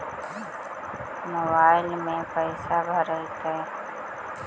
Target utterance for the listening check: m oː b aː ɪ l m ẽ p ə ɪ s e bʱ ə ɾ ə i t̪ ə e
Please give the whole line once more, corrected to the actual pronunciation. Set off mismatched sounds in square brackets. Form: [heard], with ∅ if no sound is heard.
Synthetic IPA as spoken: m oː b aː ɪ l m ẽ p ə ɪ s [a] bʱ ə ɾ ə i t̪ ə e